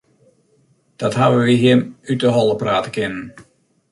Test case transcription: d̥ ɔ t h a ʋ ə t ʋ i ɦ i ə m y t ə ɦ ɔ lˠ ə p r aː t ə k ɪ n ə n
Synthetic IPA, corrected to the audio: d̥ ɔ t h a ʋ ə ʋ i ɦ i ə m y t ə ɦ ɔ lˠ ə p r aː t ə k ɪ n ə n